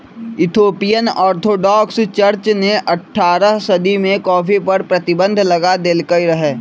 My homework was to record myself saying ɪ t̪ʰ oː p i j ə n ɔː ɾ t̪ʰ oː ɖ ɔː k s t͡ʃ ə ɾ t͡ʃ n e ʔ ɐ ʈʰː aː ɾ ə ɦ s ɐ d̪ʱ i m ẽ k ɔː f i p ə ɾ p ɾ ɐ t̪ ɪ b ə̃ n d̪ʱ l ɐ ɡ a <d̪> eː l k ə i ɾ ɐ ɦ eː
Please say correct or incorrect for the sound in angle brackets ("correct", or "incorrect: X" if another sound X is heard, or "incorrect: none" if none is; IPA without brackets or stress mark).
correct